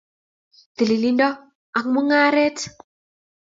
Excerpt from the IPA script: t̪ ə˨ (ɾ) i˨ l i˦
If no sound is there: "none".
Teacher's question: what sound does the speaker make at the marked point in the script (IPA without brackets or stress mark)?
l